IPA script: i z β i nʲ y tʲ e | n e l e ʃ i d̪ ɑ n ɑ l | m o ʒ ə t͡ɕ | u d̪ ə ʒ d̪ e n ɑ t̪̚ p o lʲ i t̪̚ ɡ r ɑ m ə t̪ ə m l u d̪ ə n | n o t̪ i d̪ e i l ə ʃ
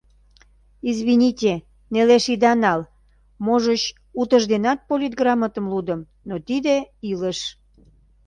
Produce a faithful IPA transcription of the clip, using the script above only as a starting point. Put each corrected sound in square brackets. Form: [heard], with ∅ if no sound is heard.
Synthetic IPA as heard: i z β i nʲ [i] tʲ e | n e l e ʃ i d̪ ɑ n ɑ l | m o ʒ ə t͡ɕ | u [t̪] ə ʒ d̪ e n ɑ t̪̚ p o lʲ i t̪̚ ɡ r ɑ m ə t̪ ə m l u d̪ ə [m] | n o t̪ i d̪ e i l ə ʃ